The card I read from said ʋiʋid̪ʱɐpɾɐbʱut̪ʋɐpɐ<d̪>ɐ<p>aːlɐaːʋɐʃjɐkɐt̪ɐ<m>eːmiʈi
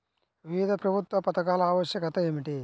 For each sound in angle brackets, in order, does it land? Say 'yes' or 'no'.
no, no, no

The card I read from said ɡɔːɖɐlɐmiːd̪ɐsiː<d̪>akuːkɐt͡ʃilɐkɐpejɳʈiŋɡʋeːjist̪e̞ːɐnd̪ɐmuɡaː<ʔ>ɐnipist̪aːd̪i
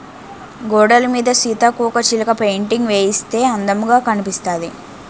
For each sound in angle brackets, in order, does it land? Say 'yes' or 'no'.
no, no

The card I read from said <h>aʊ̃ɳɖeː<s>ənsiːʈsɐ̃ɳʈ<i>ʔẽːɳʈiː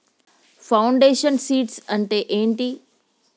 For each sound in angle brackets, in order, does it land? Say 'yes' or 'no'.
no, no, no

